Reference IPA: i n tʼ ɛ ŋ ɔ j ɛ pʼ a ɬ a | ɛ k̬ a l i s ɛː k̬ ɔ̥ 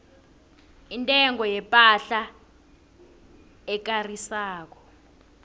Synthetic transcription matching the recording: i n tʼ ɛ ŋ ɔ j ɛ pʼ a ɬ a | ɛ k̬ a r i s aː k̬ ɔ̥